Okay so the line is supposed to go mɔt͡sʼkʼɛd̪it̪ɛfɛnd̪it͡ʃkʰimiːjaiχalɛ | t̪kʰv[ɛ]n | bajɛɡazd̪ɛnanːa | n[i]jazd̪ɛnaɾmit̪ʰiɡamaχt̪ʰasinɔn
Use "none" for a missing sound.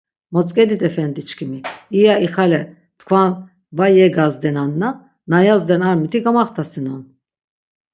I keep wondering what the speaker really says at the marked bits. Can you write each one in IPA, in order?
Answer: a, a

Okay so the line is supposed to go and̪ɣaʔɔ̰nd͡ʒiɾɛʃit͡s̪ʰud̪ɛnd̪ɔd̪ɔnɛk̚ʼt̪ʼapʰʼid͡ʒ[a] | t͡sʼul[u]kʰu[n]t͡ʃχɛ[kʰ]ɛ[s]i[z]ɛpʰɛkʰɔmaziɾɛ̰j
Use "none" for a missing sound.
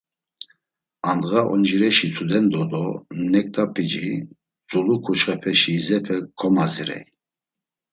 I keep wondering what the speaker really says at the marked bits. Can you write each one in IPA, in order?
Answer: i, u, none, pʰ, ʃ, z

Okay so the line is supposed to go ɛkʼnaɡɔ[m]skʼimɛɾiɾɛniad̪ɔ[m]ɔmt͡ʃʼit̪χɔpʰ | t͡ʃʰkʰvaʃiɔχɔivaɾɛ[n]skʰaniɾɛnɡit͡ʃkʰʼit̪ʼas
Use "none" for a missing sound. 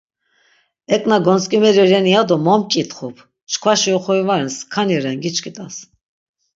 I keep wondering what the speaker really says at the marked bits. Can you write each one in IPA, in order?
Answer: n, m, n

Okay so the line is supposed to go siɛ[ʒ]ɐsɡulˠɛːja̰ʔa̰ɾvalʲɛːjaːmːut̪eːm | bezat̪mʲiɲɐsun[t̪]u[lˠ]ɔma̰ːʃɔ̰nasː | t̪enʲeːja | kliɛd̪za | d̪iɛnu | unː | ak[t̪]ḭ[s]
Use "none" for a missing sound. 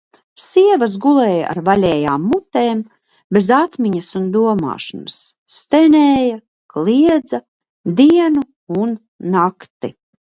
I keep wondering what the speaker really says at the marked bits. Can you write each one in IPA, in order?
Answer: v, d̪, none, t̪, none

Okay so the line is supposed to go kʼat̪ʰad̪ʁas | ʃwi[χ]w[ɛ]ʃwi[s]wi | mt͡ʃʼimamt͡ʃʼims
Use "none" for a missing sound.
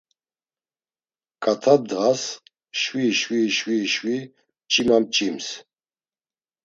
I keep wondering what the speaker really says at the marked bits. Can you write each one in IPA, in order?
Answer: ʃ, i, ʃ

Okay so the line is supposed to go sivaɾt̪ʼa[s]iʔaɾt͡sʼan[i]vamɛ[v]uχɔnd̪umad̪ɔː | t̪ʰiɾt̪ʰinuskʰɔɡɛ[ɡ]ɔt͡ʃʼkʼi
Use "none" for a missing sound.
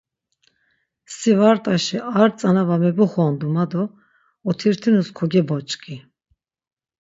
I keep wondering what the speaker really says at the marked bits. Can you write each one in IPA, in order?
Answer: ʃ, a, b, b

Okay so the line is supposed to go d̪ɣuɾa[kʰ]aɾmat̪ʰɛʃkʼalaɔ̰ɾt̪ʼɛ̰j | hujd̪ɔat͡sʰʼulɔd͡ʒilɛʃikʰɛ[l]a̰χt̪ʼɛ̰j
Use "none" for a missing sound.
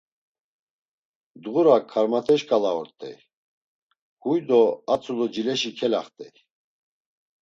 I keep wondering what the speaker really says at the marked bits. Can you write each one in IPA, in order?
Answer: kʰ, l

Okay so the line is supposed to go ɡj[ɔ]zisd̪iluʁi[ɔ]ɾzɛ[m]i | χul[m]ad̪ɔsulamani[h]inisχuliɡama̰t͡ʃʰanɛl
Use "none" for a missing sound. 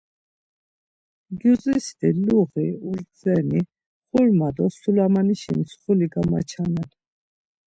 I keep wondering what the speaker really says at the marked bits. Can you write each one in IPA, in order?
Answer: u, u, n, m, ʃ

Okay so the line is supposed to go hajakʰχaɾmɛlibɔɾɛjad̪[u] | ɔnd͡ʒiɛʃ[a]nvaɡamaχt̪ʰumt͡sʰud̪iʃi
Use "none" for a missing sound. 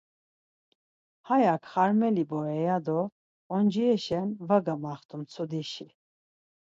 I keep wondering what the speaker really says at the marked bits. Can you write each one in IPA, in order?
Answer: ɔ, ɛ

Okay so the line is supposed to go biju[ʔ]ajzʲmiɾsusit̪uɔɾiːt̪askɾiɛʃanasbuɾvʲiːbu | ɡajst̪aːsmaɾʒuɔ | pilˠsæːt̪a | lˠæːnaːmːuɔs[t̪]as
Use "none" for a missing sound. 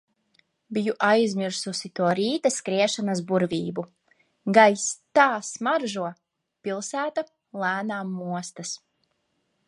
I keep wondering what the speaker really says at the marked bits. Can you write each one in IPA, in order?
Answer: ʔ, t̪

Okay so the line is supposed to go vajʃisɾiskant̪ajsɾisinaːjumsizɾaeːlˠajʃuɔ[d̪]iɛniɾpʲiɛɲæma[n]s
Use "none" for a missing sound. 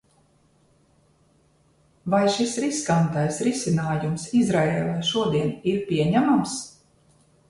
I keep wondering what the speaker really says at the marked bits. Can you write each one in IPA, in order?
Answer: d̪, m

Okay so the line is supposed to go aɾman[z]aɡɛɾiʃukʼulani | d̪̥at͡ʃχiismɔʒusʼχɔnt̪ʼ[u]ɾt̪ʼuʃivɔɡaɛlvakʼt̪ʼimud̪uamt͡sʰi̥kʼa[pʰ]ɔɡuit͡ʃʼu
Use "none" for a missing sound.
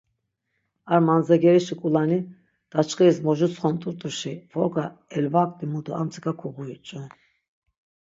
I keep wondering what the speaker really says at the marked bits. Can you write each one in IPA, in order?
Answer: z, u, kʰ

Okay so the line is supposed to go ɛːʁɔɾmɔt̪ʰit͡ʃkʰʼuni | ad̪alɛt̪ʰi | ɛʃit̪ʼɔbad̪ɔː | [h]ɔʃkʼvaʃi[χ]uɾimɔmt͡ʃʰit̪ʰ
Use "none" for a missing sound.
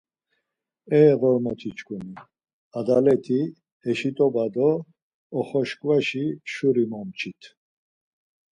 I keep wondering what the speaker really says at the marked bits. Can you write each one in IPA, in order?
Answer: χ, ʃ

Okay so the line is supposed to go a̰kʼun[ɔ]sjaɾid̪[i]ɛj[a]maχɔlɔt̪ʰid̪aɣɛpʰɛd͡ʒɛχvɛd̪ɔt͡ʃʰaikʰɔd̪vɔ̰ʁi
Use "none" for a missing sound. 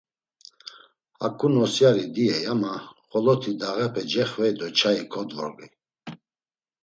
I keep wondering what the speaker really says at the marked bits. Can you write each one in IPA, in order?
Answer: ɔ, i, a

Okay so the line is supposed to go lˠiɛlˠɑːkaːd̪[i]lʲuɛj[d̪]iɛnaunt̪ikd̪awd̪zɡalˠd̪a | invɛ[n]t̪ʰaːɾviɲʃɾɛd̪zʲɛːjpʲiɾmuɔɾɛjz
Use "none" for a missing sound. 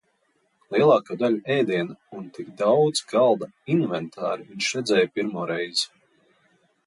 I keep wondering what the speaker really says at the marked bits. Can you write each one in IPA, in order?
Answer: a, d̪, n

